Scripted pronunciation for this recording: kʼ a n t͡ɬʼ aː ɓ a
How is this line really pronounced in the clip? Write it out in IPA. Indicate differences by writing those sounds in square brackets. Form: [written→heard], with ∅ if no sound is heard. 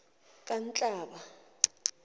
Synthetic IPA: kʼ a n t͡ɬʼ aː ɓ a